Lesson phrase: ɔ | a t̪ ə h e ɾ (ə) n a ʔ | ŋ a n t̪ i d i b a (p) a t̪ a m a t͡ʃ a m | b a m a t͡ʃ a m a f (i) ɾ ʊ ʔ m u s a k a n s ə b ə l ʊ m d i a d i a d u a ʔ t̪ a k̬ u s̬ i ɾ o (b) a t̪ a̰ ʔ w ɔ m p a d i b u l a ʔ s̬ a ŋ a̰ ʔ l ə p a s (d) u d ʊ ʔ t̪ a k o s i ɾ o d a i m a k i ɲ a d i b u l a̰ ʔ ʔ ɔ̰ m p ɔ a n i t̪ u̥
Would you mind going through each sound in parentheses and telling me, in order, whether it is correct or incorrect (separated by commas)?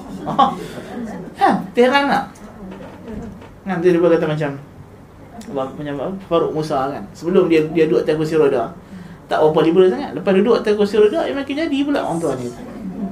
incorrect, incorrect, incorrect, incorrect, correct